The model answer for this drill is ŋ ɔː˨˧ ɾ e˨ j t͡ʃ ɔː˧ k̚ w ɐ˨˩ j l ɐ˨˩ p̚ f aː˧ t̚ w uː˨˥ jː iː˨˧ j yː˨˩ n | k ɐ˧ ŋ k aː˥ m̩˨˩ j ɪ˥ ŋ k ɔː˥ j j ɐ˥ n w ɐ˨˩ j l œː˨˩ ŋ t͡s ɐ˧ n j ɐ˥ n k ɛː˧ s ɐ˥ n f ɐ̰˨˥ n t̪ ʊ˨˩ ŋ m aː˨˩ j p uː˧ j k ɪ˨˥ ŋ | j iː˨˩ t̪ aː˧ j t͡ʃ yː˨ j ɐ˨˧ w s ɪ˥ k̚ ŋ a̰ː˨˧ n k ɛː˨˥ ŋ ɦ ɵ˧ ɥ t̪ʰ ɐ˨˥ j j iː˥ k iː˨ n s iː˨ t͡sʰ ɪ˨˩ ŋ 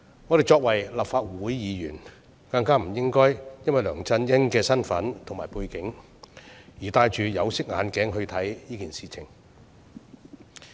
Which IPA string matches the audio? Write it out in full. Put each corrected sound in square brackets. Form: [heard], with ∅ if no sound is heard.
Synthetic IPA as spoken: ŋ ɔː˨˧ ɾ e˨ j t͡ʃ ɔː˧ k̚ w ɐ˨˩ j l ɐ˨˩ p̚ f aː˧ t̚ w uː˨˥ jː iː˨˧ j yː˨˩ n | k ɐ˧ ŋ k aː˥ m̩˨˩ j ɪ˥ ŋ k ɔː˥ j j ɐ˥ n w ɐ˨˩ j l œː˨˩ ŋ t͡s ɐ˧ n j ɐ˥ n k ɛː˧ s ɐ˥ n f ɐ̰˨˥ n [t̪ʰ] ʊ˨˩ ŋ m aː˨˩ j p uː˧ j k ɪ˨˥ ŋ | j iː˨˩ t̪ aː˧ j t͡ʃ yː˨ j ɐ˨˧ w s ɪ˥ k̚ ŋ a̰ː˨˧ n k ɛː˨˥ ŋ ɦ ɵ˧ ɥ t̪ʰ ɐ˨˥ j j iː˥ k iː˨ n s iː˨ t͡sʰ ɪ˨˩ ŋ